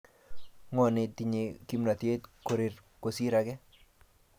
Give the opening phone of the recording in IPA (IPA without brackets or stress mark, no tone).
ŋ